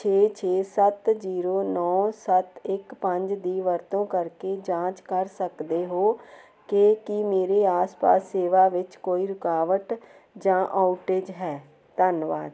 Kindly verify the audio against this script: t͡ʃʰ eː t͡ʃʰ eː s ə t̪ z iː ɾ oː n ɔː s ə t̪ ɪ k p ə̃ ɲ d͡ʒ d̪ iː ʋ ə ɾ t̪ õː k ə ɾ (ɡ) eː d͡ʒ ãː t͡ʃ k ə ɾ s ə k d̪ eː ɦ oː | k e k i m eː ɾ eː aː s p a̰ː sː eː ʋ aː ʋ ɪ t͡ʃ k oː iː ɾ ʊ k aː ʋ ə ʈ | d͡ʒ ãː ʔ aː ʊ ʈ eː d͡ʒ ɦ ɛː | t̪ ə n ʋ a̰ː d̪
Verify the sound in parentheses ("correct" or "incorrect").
incorrect